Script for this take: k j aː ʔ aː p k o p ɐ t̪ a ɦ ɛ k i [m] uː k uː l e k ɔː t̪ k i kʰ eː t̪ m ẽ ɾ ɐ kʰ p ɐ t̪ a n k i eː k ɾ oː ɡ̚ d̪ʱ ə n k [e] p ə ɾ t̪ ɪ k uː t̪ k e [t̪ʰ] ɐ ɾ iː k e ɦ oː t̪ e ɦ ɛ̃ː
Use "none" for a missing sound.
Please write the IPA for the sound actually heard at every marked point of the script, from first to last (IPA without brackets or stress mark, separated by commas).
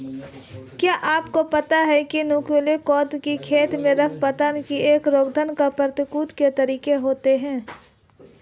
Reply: n, a, t̪